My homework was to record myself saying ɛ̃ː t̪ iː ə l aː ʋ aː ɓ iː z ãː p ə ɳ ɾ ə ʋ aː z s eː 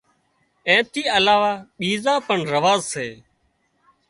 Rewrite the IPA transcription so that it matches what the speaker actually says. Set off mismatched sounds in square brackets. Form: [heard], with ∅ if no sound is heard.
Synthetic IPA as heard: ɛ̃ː t̪ iː ə l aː ʋ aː ɓ iː z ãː p ə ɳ ɾ ə ʋ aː z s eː

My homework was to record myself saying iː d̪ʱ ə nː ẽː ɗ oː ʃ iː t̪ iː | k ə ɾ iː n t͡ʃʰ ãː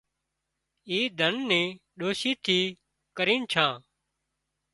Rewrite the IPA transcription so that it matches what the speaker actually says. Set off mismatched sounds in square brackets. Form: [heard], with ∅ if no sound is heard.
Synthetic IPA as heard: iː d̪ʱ ə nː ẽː ɗ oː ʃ iː [t̪ʰ] iː | k ə ɾ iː n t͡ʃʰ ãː

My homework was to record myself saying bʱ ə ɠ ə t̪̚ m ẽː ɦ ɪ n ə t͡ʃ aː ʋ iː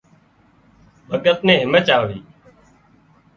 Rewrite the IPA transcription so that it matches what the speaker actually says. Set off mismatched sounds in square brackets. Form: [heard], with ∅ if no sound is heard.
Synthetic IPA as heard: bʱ ə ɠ ə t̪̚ [n] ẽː ɦ ɪ [m] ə t͡ʃ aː ʋ iː

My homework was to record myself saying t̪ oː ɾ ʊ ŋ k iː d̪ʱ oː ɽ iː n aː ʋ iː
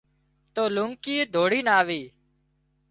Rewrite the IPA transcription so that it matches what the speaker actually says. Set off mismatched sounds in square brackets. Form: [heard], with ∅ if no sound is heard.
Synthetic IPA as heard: t̪ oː [l] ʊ ŋ k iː d̪ʱ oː ɽ iː n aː ʋ iː

